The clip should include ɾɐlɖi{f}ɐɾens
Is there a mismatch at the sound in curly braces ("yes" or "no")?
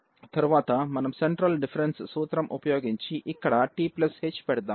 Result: no